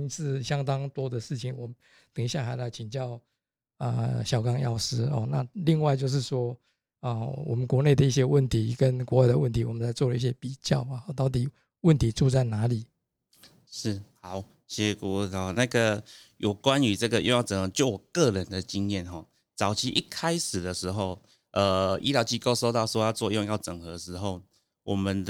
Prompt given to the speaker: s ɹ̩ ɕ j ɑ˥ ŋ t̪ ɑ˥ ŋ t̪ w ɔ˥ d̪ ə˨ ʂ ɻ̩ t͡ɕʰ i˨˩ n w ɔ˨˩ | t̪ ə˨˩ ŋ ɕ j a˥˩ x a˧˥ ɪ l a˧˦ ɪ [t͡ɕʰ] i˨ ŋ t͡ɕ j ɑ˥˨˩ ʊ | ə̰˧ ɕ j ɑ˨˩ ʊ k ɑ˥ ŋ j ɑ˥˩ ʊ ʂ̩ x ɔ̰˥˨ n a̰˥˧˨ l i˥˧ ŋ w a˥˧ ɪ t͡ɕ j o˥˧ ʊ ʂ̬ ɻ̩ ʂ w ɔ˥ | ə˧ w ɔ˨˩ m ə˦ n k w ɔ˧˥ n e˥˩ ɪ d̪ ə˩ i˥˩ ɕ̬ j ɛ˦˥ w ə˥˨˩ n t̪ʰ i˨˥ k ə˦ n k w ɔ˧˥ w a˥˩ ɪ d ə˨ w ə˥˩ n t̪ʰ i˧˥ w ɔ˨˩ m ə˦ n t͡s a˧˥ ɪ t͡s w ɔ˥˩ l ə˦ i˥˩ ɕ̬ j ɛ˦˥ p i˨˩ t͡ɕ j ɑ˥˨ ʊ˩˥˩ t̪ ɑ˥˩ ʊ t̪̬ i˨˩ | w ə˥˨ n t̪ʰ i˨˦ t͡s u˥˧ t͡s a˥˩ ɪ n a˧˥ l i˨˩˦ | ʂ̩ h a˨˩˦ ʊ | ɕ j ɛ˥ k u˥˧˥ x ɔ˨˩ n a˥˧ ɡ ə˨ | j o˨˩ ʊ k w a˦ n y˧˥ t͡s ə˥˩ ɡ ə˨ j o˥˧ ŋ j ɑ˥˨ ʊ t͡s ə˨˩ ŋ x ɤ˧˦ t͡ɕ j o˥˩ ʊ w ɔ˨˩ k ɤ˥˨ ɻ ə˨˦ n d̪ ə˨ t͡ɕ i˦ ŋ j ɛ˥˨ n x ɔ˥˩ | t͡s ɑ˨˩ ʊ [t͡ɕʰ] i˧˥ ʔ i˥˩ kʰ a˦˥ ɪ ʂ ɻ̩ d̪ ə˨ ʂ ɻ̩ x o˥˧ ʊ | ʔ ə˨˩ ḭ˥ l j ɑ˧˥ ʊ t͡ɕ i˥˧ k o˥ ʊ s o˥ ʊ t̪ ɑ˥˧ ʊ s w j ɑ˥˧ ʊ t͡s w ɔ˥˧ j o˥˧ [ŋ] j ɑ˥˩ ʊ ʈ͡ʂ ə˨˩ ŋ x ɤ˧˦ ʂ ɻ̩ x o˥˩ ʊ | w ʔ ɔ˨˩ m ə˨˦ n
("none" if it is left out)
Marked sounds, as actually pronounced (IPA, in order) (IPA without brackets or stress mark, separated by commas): t͡ɕʰ, t͡ɕʰ, ŋ